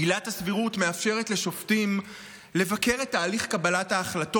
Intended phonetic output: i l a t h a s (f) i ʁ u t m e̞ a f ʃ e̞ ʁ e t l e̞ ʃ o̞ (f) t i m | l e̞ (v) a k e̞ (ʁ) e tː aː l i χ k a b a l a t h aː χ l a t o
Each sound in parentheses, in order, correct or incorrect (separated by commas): incorrect, correct, correct, correct